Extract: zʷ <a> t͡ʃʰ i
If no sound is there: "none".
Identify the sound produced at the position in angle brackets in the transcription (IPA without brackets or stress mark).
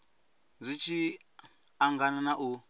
i